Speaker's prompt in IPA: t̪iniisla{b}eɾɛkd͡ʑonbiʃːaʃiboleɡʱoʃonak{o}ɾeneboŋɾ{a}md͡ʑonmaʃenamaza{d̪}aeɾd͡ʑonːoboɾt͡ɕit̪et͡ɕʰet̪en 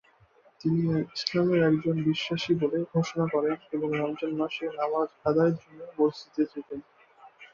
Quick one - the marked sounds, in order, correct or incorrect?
incorrect: m, incorrect: ɔ, correct, correct

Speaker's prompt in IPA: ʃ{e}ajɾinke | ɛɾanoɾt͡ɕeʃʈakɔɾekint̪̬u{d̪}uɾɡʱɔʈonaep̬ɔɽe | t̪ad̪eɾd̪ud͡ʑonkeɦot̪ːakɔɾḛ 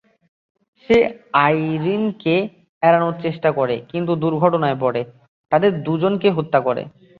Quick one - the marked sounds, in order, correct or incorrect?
correct, correct

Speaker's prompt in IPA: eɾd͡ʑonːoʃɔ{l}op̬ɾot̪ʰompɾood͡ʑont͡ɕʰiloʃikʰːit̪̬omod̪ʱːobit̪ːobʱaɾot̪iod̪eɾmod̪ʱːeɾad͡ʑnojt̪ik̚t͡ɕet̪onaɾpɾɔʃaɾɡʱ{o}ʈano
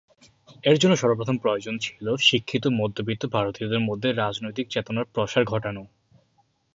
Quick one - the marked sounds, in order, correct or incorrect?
incorrect: ɾ, incorrect: ɔ

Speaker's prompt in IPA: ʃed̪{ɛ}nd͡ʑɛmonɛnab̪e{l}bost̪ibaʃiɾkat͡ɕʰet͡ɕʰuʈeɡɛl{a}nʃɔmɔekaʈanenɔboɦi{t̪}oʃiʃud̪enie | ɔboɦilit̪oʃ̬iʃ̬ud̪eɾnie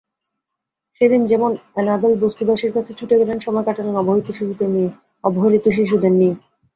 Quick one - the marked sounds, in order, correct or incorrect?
incorrect: i, correct, incorrect: e, correct

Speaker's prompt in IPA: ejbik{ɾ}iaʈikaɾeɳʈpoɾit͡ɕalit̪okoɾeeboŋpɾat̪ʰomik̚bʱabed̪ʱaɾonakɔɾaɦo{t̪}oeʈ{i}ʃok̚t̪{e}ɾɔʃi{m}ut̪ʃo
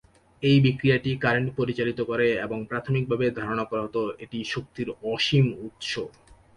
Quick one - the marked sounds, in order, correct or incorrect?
correct, correct, correct, incorrect: i, correct

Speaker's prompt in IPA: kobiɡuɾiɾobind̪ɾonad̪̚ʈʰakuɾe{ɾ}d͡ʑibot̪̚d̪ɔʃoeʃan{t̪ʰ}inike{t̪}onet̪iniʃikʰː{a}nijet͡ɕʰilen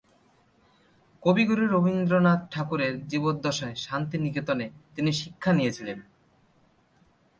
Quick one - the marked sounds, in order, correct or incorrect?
correct, incorrect: t̪, correct, correct

